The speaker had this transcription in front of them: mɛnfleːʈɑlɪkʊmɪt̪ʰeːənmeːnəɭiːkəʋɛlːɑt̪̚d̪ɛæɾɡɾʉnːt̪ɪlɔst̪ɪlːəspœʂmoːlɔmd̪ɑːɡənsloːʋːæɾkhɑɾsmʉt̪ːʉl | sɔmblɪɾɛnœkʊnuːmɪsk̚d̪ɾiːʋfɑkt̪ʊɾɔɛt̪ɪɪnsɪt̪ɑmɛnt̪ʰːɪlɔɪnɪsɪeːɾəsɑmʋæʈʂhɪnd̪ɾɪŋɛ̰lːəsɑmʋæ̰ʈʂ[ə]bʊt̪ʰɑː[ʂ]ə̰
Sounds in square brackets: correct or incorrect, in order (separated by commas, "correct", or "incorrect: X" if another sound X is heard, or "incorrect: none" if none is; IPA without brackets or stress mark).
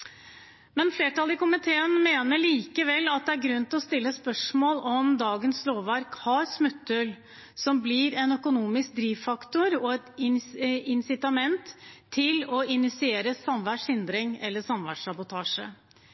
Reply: incorrect: ɑ, correct